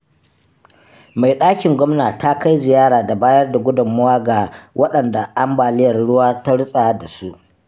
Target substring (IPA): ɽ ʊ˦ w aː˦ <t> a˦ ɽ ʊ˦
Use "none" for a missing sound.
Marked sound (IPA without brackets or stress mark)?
t